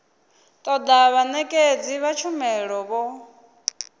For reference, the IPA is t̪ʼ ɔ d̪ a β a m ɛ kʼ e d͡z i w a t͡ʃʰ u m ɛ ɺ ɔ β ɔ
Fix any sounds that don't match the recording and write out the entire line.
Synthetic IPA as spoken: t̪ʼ ɔ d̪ a β a n ɛ kʼ e d͡z i β a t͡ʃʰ u m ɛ ɺ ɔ β ɔ